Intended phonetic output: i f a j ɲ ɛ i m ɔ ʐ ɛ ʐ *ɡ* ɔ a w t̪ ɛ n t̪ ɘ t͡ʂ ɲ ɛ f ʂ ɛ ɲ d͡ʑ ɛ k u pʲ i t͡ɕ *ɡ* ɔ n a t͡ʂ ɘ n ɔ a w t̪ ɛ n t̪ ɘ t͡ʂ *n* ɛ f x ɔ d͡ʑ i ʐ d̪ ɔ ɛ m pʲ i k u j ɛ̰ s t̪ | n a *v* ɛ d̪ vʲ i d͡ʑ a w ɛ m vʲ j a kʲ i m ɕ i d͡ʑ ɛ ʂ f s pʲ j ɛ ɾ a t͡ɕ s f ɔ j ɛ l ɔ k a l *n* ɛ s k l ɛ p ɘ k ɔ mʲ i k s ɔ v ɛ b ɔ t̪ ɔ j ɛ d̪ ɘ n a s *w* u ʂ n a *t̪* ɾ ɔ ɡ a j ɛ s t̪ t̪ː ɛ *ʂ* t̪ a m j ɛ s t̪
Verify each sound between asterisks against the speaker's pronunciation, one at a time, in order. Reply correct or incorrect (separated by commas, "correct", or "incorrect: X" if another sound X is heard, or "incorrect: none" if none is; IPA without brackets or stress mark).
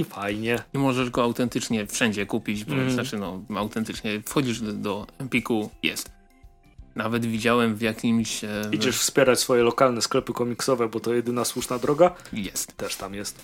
correct, incorrect: b, incorrect: ɲ, correct, correct, correct, incorrect: d̪, correct